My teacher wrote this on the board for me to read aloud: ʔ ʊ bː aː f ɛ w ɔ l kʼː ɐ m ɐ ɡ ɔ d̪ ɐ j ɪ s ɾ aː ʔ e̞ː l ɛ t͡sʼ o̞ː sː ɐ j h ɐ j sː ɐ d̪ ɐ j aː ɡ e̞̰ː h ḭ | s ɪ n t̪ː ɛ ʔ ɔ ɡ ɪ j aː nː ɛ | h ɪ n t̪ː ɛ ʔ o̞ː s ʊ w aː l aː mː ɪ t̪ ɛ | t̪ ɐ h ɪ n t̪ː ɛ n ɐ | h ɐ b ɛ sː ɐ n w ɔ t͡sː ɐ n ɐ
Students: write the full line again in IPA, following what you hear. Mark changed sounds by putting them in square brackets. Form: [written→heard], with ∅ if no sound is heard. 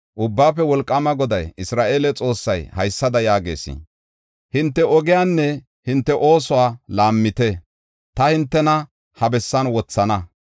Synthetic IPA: ʔ ʊ bː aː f ɛ w ɔ l kʼː ɐ m ɐ ɡ ɔ d̪ ɐ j ɪ s ɾ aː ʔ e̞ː l ɛ t͡sʼ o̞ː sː ɐ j h ɐ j sː ɐ d̪ ɐ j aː ɡ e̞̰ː [h→s] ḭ | [s→h] ɪ n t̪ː ɛ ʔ ɔ ɡ ɪ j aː nː ɛ | h ɪ n t̪ː ɛ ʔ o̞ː s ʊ w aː l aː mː ɪ t̪ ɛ | t̪ ɐ h ɪ n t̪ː ɛ n ɐ | h ɐ b ɛ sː ɐ n w ɔ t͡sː ɐ n ɐ